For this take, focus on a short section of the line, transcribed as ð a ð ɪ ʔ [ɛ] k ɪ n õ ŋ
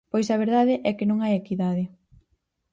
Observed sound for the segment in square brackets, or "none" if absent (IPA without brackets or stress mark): ɛ